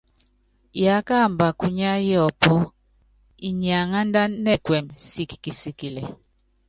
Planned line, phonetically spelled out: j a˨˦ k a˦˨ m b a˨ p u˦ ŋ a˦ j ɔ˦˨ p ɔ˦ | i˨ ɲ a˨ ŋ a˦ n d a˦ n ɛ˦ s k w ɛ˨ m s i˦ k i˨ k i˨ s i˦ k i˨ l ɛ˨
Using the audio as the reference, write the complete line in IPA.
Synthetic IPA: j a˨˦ k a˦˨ m b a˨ k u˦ ɲ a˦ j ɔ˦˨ p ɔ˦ | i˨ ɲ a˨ ŋ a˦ n d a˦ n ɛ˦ k w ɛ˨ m s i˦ k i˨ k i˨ s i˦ k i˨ l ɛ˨